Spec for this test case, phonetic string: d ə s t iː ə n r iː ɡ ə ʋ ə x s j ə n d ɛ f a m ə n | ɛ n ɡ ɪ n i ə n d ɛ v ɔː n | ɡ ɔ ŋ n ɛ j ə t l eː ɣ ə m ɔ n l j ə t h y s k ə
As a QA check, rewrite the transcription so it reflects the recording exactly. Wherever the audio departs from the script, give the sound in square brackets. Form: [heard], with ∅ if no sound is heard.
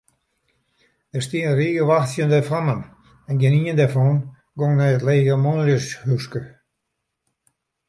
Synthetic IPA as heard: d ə s t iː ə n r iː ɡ ə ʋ [a] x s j ə n d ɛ f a m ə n | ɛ n ɡ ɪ n i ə n d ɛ [f] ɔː n | ɡ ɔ ŋ n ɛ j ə t l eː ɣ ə m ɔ n l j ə [s] h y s k ə